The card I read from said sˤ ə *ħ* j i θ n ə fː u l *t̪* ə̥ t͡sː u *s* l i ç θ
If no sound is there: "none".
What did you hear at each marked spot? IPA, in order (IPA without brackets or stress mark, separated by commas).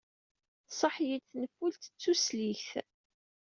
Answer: ħ, t̪, s